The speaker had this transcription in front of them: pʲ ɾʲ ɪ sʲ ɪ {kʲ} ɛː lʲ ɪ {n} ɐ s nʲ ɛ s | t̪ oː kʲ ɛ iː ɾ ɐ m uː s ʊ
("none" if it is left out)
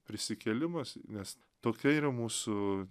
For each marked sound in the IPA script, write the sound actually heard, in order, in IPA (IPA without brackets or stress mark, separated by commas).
kʲ, m